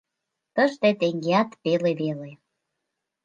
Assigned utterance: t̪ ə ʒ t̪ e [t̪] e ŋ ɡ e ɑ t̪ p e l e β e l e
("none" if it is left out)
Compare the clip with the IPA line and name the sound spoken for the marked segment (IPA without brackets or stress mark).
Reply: t̪